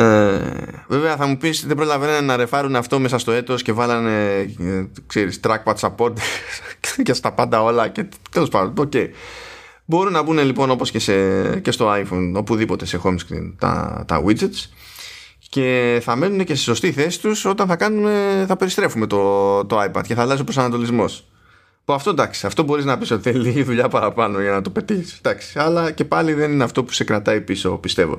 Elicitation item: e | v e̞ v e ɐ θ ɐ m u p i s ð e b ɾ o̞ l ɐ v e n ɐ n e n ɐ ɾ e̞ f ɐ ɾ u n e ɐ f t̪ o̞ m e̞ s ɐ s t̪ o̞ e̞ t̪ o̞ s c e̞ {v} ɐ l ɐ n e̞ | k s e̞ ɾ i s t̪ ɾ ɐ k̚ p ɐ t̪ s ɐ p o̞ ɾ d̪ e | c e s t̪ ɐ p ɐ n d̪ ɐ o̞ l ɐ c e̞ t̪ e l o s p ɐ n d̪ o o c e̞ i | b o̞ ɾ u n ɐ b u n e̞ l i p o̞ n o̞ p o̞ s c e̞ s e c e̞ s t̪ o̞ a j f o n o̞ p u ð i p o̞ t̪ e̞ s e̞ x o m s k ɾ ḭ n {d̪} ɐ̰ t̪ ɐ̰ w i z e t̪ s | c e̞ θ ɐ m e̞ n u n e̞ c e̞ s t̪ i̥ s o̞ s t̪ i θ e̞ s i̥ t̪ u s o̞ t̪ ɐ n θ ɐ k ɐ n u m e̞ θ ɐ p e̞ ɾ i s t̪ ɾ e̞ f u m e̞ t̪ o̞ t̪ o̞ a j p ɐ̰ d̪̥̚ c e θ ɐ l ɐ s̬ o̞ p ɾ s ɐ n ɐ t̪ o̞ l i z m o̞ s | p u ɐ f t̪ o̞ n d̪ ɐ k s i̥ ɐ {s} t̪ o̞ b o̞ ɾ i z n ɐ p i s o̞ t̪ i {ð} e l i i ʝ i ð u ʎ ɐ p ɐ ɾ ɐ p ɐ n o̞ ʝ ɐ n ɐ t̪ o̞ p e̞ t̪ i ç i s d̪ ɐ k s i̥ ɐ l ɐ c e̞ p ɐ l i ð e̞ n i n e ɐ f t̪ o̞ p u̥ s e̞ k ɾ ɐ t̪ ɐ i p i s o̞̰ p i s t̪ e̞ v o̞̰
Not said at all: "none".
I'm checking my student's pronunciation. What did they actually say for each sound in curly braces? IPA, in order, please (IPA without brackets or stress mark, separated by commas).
v, t̪, f, θ